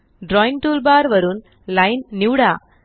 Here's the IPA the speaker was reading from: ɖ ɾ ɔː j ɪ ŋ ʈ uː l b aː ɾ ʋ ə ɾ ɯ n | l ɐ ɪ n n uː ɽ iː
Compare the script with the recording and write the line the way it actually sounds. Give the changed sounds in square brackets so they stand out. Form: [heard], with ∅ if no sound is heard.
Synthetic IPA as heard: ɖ ɾ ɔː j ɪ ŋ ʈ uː l b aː ɾ ʋ [ɐ] ɾ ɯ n | l ɐ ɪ n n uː ɽ [aː]